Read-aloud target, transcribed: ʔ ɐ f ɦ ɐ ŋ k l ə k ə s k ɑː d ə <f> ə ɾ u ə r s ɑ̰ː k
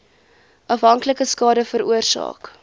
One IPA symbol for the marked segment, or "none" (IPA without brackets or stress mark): f